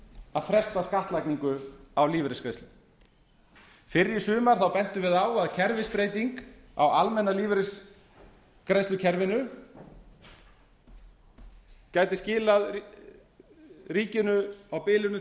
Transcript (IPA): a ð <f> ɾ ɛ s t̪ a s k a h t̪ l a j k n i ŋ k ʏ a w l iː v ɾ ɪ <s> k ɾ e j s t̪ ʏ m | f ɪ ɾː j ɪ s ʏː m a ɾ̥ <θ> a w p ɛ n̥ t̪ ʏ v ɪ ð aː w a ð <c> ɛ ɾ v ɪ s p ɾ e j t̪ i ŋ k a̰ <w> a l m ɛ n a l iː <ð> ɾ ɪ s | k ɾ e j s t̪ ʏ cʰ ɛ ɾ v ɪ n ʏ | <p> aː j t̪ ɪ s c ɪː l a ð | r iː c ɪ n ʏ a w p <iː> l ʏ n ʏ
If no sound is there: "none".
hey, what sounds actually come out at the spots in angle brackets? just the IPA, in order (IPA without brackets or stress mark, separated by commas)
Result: f, s, θ, cʰ, w, v, c, ɪː